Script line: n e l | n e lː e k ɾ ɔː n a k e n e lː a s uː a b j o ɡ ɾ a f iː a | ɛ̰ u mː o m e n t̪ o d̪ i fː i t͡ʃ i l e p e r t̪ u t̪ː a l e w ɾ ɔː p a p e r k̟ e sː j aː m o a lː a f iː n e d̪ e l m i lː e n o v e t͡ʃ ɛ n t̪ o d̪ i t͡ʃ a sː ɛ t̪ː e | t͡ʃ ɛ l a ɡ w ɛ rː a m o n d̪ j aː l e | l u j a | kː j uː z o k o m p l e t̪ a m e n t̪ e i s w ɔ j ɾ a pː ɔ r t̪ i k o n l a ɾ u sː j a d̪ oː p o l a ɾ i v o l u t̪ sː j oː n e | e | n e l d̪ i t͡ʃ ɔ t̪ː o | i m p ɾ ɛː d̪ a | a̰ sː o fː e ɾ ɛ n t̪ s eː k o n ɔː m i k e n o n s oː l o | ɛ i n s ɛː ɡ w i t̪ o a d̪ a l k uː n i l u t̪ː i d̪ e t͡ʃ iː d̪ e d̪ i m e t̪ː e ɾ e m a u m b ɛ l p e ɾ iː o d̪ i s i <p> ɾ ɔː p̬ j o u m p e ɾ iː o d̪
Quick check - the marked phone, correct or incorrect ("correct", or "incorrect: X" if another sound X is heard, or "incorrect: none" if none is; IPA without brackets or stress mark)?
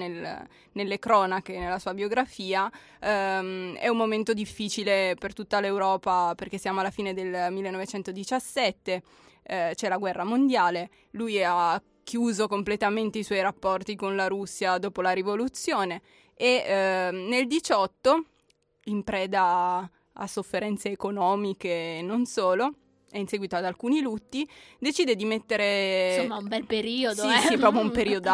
correct